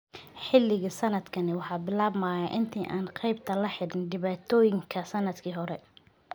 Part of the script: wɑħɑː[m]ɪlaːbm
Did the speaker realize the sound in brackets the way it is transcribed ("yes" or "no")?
no